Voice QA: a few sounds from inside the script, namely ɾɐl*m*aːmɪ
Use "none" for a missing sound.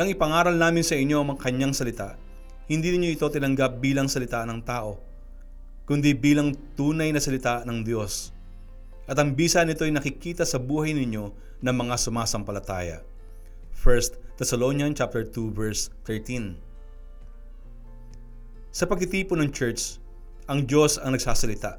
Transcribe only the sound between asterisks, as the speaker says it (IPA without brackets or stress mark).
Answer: n